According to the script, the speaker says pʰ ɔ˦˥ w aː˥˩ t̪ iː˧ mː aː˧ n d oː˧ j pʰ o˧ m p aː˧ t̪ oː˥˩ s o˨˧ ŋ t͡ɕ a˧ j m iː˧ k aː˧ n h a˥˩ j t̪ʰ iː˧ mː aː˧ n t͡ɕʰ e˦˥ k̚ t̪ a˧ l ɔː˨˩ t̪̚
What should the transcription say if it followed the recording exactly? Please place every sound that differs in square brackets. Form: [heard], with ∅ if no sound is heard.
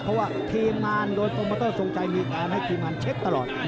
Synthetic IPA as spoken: pʰ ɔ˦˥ w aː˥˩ [t̪ʰ] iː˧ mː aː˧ n d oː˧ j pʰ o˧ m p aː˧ t̪ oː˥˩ s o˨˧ ŋ t͡ɕ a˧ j m iː˧ k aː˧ n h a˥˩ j t̪ʰ iː˧ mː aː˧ n t͡ɕʰ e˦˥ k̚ t̪ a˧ l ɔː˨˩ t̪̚